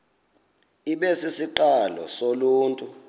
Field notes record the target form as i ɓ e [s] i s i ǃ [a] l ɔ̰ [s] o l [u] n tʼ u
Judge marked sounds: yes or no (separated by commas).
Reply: yes, yes, yes, no